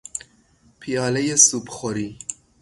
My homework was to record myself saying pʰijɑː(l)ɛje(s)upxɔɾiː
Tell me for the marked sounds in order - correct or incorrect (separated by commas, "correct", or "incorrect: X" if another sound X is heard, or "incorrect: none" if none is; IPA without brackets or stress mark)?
correct, correct